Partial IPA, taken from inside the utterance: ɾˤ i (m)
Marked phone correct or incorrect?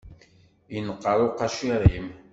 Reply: correct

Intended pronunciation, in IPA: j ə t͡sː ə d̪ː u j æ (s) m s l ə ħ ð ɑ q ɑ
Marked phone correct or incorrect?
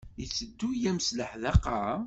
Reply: incorrect: none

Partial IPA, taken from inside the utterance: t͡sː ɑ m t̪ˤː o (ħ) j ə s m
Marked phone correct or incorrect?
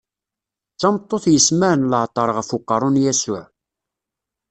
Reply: incorrect: θ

